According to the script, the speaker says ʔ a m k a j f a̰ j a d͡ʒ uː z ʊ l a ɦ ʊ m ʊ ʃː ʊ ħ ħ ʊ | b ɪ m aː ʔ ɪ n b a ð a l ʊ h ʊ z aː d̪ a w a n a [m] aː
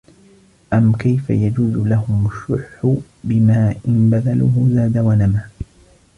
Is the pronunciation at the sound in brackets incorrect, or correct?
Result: correct